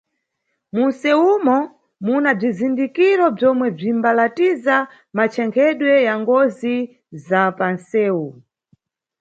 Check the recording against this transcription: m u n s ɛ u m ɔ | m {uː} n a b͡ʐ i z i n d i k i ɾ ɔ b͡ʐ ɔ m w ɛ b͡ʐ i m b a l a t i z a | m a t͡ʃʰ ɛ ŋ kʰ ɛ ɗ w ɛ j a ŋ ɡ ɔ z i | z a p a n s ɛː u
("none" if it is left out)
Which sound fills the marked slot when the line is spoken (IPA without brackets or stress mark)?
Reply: u